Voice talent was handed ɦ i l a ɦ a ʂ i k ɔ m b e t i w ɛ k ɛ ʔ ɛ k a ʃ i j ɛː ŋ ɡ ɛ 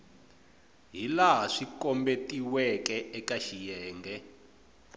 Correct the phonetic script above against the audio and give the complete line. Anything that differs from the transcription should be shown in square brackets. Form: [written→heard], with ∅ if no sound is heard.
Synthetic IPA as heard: ɦ i l a ɦ a ʂ i k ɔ m b e t i w ɛ k ɛ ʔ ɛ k a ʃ i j ɛː ŋ ɡ ɛ